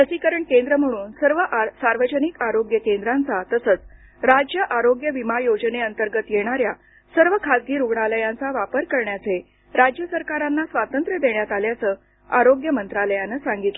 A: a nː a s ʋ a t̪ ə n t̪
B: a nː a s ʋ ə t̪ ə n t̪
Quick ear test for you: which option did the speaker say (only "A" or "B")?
A